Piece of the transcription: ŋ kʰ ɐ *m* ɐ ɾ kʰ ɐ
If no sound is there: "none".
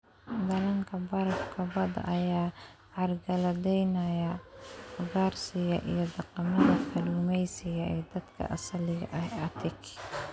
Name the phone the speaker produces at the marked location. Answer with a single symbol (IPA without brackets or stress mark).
b